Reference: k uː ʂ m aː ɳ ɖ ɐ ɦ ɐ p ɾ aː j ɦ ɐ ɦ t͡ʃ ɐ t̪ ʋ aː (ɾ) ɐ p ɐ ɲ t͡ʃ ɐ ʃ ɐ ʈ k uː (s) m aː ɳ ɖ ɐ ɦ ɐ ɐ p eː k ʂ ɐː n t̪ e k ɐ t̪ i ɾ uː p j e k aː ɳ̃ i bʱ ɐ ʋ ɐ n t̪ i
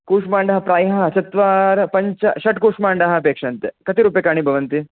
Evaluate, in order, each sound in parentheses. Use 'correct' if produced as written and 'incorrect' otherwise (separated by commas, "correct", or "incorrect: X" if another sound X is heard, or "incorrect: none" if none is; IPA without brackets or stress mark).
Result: correct, incorrect: ʂ